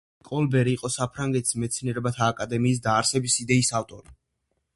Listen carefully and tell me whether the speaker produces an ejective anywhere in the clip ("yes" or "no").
yes